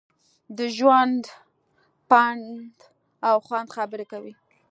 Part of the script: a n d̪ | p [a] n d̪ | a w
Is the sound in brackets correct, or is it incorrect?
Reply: correct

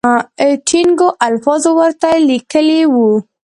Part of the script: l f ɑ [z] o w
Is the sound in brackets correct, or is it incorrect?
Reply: correct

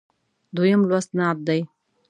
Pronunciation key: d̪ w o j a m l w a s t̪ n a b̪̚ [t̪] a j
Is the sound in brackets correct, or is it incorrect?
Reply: incorrect: d̪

